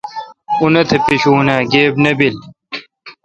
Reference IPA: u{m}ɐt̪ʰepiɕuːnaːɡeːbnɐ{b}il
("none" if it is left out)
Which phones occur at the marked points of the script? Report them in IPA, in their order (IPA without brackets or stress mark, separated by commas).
n, b